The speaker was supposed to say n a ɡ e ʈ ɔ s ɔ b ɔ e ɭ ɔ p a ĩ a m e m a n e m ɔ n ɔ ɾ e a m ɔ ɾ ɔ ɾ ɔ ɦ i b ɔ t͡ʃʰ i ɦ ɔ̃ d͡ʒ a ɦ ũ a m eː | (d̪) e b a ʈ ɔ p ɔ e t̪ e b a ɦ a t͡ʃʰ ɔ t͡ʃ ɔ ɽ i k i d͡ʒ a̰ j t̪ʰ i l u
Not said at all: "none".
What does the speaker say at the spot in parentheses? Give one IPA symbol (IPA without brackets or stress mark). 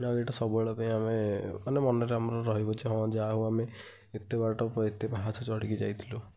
t̪